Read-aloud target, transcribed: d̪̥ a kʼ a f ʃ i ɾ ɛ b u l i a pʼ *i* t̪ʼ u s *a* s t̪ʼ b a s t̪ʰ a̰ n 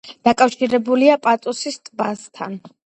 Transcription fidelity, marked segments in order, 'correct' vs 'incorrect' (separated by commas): incorrect, incorrect